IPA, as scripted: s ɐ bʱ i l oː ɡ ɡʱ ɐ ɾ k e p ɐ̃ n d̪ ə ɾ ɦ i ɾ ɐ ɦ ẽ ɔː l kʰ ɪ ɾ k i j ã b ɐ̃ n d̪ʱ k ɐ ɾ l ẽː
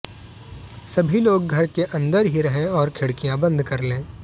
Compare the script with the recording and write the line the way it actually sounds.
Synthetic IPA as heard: s ɐ bʱ i l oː ɡ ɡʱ ɐ ɾ k e ʔ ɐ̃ n d̪ ə ɾ ɦ i ɾ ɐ ɦ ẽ ɔː ɾ kʰ ɪ ɽ k i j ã b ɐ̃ n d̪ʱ k ɐ ɾ l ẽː